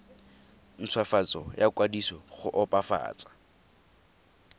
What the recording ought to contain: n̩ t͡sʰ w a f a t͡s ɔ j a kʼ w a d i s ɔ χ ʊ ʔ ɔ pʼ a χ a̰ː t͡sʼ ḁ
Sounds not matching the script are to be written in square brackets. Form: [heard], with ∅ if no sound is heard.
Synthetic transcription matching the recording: n̩ t͡sʰ w a f a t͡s ɔ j a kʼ w a d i s ɔ χ ʊ ʔ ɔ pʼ a [f] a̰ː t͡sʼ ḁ

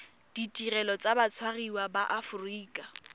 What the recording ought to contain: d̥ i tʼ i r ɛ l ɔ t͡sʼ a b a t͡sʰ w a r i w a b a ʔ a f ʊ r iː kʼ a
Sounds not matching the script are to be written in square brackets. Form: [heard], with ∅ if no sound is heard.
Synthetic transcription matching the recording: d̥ i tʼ i r ɛ l ɔ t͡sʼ a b a t͡sʰ w a r i w a b a ʔ a f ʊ r iː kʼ a

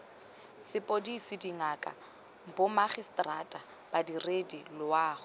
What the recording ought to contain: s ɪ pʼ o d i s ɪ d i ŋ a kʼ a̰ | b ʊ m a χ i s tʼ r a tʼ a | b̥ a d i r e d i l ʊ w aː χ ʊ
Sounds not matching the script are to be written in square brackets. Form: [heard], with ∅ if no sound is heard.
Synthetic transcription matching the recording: s ɪ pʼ o d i s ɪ d i ŋ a kʼ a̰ | b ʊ m a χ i s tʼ r a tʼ a | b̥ a d i r e d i l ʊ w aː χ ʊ

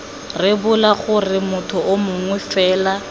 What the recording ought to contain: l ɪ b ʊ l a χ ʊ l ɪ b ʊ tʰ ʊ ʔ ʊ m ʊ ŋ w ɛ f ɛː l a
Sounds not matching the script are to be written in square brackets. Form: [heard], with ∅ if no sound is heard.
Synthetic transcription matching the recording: [r] ɪ b ʊ l a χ ʊ [r] ɪ [m] ʊ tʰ ʊ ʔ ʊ m ʊ ŋ w ɛ f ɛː l a

